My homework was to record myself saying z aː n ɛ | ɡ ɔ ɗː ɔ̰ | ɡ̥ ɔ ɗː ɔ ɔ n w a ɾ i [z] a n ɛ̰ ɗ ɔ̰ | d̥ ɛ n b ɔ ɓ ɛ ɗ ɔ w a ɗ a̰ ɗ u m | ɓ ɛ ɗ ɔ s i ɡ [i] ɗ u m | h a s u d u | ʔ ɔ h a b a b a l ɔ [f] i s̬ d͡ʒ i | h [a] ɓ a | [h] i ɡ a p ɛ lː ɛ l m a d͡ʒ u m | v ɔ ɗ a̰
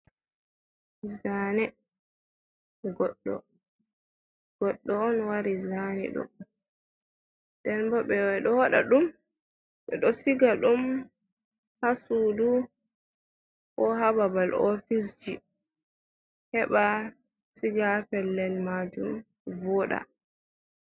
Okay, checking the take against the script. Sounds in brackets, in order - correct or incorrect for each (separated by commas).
correct, incorrect, correct, incorrect, incorrect